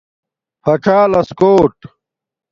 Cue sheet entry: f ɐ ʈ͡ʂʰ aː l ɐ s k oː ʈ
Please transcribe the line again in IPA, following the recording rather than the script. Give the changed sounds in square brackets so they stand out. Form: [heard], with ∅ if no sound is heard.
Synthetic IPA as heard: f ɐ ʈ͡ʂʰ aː l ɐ s k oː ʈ